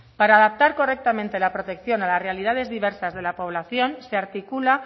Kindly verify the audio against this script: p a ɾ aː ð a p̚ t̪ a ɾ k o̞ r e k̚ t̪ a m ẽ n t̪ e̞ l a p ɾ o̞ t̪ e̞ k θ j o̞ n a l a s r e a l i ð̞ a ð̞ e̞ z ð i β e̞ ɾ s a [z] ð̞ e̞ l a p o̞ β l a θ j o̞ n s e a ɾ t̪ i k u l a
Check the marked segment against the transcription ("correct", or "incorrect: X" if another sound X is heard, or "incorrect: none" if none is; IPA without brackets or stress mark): correct